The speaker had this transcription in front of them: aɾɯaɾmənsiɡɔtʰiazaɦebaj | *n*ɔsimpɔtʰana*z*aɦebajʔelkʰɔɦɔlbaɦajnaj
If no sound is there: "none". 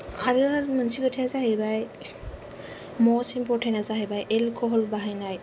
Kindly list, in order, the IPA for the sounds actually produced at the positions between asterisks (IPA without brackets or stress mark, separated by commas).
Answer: m, z